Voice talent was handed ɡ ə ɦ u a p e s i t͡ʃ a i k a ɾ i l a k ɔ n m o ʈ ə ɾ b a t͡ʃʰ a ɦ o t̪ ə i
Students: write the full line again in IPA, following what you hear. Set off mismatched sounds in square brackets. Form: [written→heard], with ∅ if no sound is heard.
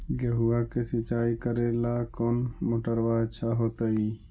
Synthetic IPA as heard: ɡ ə ɦ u a [p→k] e s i t͡ʃ a i k [a→ə] ɾ [i→e] l a k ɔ n m o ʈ ə ɾ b a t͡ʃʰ a ɦ o t̪ ə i